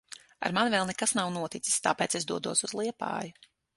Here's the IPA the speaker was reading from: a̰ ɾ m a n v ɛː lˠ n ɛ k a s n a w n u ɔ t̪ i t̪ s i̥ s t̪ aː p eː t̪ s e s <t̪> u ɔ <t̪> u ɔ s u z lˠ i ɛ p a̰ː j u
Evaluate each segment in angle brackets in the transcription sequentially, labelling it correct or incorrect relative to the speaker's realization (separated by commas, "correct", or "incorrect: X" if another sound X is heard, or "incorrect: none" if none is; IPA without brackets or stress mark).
incorrect: d̪, incorrect: d̪